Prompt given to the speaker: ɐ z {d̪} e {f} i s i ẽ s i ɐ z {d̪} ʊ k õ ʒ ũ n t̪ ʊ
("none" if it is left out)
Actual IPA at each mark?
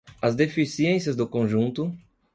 d̪, f, d̪

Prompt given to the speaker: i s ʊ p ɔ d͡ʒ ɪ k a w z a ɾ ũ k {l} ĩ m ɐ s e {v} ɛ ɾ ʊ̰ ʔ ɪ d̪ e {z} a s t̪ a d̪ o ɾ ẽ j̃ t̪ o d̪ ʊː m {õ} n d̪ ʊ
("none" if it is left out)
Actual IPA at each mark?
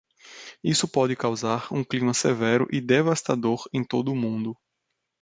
l, v, v, ũ

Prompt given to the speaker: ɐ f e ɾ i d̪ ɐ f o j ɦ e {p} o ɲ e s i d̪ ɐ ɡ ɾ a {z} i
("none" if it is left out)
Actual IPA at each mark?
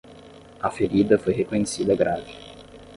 k, v

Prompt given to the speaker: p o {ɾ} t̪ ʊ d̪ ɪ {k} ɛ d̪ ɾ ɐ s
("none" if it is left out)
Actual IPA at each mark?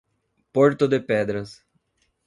ɾ, p

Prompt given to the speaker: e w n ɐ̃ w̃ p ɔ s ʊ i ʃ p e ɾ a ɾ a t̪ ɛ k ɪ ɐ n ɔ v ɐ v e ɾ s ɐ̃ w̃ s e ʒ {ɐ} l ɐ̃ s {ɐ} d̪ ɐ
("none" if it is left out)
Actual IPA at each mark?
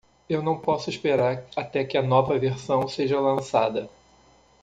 ɐ, a

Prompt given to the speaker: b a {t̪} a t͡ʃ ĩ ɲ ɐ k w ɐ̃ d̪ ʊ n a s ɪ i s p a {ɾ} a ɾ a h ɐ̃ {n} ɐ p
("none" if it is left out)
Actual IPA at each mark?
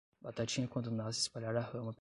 t̪, ʎ, m

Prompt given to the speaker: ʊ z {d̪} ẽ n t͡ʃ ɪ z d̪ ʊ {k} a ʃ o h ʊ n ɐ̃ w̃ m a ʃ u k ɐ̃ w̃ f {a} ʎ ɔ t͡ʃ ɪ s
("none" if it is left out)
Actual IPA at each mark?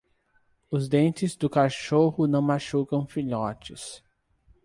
d̪, k, i

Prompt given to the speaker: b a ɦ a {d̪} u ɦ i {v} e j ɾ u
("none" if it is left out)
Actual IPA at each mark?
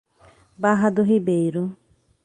d̪, b

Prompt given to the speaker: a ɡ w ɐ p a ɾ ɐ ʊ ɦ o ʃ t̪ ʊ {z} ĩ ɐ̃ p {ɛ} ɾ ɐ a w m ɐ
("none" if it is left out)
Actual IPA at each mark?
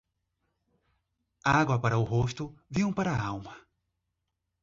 v, a

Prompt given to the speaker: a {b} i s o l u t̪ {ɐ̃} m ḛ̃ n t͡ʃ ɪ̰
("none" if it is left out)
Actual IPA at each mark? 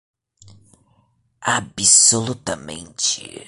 b, ɐ

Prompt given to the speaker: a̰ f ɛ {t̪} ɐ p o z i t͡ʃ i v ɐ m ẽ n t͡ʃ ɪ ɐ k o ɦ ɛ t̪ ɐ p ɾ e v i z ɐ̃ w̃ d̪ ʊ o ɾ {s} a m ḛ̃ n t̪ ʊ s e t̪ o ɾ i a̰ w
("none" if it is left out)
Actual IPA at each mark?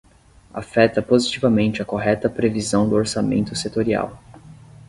t̪, s

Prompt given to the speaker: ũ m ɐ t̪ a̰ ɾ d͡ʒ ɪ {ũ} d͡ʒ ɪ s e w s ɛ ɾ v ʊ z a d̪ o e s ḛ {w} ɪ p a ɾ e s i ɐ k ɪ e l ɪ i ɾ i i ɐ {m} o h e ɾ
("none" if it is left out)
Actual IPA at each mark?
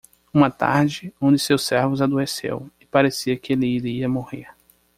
õ, w, m

